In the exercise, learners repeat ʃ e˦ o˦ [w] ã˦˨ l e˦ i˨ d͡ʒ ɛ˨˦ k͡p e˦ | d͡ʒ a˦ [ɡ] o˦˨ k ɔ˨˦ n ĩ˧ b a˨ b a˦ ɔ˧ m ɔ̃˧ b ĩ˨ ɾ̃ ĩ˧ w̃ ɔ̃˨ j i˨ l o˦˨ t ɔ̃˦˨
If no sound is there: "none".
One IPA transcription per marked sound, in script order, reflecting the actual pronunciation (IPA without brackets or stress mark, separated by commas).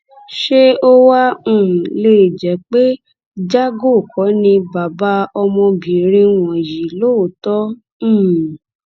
w, ɡ